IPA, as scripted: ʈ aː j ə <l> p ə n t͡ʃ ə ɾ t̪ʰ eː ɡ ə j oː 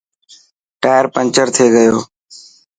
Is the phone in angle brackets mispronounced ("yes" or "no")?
yes